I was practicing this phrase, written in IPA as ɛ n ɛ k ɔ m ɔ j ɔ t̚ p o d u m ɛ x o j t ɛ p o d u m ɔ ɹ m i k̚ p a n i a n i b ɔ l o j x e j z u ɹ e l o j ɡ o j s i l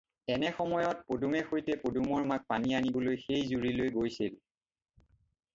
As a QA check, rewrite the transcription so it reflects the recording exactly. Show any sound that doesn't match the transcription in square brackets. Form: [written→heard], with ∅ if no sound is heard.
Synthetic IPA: ɛ n ɛ [k→x] ɔ m ɔ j ɔ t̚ p o d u m ɛ x o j t ɛ p o d u m ɔ ɹ m [i→a] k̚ p a n i a n i b ɔ l o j x e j z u ɹ [e→i] l o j ɡ o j s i l